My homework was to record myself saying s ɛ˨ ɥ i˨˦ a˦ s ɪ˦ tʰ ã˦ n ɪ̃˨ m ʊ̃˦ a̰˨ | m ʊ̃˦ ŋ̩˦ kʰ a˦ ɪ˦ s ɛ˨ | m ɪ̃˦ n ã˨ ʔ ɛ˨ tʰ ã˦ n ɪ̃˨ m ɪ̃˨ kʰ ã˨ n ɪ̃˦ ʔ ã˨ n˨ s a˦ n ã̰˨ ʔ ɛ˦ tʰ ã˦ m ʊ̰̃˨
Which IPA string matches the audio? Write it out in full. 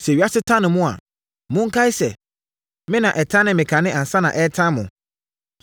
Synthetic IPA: s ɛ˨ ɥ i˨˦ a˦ s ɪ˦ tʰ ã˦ n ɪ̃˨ m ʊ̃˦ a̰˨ | m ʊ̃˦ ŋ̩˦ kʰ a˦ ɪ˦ s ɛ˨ | m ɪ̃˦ n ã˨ ʔ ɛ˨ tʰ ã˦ n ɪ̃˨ m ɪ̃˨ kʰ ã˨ n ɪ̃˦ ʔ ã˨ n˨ s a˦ n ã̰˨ ʔ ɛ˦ tʰ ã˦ m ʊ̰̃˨